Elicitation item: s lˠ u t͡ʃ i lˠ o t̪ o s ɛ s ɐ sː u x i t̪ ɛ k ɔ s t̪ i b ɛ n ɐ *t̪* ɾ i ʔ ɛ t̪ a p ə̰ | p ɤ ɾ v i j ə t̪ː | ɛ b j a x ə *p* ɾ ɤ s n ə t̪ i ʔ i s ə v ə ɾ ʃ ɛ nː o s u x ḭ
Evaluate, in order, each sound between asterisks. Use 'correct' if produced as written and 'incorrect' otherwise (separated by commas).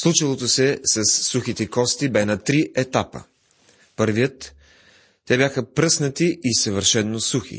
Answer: correct, correct